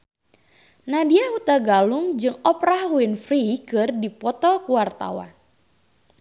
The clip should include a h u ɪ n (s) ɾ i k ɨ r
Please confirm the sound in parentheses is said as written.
no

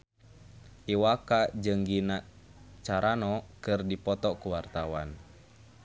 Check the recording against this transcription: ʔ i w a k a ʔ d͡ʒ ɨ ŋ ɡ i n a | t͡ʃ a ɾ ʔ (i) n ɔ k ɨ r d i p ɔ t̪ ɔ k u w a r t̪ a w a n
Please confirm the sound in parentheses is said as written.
no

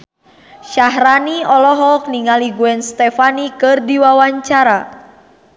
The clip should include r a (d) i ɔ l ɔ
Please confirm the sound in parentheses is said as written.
no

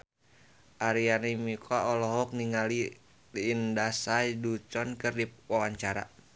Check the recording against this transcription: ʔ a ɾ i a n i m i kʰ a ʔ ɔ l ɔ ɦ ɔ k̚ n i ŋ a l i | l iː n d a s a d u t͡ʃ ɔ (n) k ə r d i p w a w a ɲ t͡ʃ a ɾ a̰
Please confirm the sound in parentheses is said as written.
yes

